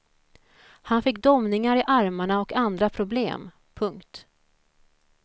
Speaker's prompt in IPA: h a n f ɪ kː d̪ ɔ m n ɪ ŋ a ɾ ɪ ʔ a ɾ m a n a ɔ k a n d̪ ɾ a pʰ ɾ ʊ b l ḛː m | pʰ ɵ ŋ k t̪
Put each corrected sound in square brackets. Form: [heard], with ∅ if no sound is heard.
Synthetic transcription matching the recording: h a n f ɪ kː d̪ ɔ m n ɪ ŋ a ɾ ɪ ʔ a ɾ m a [ɳ] a ɔ k a n d̪ ɾ a pʰ ɾ ʊ b l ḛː m | pʰ ɵ ŋ k t̪